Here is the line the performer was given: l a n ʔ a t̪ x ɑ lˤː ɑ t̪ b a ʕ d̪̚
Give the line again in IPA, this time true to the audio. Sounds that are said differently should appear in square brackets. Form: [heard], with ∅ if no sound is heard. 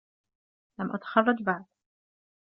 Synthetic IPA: l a [m] ʔ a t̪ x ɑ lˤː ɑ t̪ b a ʕ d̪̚